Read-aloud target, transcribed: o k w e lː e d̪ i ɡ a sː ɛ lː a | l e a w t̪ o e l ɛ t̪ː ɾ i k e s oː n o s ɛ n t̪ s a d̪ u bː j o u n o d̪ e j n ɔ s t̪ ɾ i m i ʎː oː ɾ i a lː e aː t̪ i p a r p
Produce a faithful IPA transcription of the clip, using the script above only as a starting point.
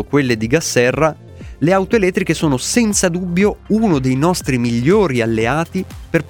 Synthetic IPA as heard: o k w e lː e d̪ i ɡ a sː ɛ rː a | l e a w t̪ o e l ɛ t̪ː ɾ i k e s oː n o s ɛ n t̪ s a d̪ u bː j o u n o d̪ e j n ɔ s t̪ ɾ i m i ʎː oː ɾ i a lː e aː t̪ i p e r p